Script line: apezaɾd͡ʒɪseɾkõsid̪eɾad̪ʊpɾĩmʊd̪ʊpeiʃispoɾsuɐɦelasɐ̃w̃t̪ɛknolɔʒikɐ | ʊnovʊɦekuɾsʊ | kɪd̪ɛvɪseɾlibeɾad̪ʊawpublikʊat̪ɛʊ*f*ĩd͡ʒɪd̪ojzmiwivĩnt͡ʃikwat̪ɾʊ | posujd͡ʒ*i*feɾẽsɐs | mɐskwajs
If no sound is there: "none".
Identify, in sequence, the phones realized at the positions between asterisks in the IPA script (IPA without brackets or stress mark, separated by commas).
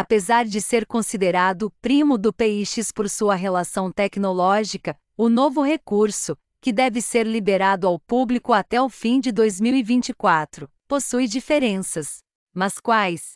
f, i